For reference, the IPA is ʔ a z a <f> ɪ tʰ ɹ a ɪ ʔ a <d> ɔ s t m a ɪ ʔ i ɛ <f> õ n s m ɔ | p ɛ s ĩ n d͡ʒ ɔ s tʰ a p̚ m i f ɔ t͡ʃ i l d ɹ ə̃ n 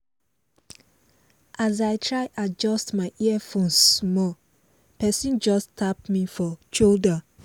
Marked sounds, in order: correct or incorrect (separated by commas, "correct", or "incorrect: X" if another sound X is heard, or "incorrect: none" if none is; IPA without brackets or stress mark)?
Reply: incorrect: none, incorrect: d͡ʒ, correct